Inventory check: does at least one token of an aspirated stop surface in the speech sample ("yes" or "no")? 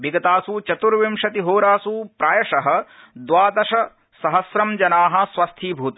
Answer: yes